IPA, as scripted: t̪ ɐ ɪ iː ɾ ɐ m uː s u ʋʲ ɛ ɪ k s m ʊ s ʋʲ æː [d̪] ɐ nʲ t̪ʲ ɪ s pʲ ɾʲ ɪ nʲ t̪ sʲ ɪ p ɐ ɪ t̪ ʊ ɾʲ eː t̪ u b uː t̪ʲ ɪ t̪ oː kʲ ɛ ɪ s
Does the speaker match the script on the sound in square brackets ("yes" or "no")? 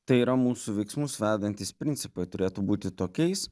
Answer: yes